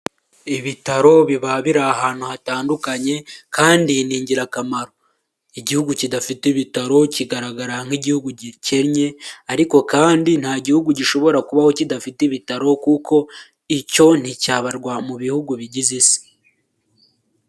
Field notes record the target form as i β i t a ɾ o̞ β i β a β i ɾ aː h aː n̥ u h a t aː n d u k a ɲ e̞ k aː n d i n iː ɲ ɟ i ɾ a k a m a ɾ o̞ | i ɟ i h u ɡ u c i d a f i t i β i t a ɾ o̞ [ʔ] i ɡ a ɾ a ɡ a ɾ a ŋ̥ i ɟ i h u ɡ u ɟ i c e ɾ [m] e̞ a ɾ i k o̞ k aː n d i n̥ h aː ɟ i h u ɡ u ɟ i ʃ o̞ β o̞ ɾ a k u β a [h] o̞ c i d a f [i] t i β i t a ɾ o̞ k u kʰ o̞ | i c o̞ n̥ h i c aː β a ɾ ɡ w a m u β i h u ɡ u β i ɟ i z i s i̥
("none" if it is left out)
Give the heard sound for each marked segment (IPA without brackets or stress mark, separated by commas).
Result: c, ɲ, h, i